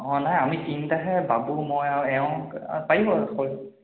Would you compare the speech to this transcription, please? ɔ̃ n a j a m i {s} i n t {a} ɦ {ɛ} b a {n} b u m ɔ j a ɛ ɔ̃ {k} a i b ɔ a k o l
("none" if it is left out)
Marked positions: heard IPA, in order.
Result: t, a, ɛ, none, p

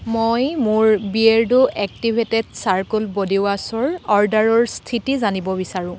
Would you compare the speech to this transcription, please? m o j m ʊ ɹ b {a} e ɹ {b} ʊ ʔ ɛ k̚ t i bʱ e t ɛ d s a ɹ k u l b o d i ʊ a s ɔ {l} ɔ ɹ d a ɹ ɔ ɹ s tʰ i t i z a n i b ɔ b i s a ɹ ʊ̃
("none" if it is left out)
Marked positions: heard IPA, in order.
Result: i, d, ɹ

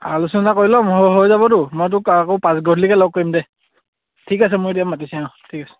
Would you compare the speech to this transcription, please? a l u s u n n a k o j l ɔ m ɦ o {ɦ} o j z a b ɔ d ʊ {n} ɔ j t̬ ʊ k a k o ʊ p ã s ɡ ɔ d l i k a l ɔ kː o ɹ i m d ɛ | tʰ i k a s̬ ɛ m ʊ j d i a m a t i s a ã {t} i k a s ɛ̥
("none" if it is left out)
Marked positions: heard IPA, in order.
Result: ɦ, m, tʰ

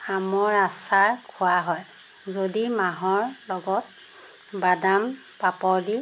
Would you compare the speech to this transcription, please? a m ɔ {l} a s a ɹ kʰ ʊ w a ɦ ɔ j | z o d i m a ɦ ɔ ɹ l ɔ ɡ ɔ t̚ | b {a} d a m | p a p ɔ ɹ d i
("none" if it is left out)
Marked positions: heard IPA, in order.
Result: ɹ, a

